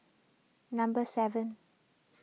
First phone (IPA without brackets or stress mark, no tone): n